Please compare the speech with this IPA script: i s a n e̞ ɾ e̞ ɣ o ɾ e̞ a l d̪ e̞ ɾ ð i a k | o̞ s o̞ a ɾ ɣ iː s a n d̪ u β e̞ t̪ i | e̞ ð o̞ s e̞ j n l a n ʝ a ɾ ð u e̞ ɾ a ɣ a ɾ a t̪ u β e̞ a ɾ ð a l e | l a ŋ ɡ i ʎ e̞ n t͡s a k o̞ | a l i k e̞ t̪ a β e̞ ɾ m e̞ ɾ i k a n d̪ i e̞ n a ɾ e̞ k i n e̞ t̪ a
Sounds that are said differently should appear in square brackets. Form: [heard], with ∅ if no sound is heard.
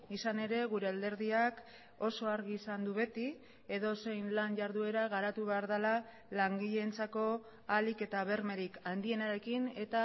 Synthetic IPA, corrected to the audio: i s a n e̞ ɾ e̞ ɣ [u] ɾ e̞ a l d̪ e̞ ɾ ð i a k | o̞ s o̞ a ɾ ɣ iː s a n d̪ u β e̞ t̪ i | e̞ ð o̞ s e̞ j n l a n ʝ a ɾ ð u e̞ ɾ a ɣ a ɾ a t̪ u β e̞ a ɾ ð a l [a] | l a ŋ ɡ i ʎ e̞ n t͡s a k o̞ | a l i k e̞ t̪ a β e̞ ɾ m e̞ ɾ i k a n d̪ i e̞ n a ɾ e̞ k i n e̞ t̪ a